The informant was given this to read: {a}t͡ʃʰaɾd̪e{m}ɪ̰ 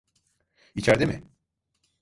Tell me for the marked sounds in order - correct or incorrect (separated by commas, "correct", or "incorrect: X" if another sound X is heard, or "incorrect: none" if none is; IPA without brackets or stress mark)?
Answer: incorrect: i, correct